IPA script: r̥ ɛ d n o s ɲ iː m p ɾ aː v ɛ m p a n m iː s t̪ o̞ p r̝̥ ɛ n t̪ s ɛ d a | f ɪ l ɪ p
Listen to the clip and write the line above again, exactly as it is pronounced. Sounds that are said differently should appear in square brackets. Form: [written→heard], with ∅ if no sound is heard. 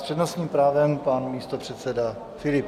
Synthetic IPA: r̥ ɛ d n o s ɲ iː m p ɾ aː v ɛ m p a n m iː s t̪ o̞ p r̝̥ ɛ [n→∅] t̪ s ɛ d a | f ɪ l ɪ p